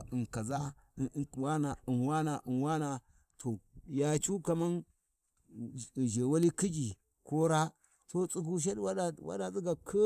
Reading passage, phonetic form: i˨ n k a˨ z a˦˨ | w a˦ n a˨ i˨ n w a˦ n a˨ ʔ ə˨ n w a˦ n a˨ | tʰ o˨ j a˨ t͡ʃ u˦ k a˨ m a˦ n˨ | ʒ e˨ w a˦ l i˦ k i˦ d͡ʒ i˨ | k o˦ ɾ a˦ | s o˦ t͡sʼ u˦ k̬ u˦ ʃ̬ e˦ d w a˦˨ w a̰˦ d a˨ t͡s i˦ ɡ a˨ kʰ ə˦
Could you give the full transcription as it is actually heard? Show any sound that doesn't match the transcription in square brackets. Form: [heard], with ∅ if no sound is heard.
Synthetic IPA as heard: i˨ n k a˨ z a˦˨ | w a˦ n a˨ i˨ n w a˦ n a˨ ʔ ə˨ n w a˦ n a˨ | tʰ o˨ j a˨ t͡ʃ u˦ k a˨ m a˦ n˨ | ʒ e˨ w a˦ l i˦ k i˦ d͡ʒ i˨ | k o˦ ɾ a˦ | s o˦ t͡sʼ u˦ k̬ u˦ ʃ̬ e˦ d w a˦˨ w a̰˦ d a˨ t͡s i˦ ɡ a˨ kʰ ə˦